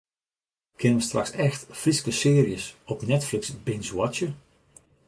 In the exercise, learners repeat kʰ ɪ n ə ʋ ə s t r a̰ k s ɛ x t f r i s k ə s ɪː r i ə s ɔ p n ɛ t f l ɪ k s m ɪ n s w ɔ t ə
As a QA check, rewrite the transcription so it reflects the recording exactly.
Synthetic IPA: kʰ ɪ n ə ʋ ə s t r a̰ k s ɛ x t f r i s k ə s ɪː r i ə s ɔ p n ɛ t f l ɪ k s b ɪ n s w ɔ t ə